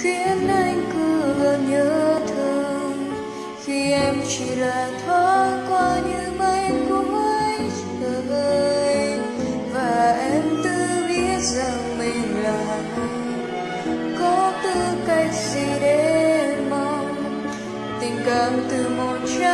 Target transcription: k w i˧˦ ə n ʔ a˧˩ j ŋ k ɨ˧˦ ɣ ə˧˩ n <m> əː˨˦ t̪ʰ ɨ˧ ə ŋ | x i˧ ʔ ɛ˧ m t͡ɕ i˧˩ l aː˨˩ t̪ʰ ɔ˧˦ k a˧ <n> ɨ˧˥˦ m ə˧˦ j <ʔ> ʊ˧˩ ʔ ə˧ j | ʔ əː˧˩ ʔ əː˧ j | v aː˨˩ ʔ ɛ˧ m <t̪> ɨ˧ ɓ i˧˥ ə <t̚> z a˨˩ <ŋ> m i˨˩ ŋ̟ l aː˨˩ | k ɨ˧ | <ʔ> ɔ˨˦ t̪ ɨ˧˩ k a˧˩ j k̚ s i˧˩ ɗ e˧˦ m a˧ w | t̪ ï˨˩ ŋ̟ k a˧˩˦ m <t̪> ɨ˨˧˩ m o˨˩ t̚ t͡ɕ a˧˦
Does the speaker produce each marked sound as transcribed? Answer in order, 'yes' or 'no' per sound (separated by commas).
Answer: no, no, no, yes, yes, yes, no, yes